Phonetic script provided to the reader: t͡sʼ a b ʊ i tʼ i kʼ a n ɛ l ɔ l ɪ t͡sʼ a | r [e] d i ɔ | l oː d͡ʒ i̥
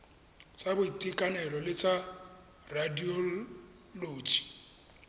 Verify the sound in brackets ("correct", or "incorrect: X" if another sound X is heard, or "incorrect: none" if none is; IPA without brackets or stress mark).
incorrect: a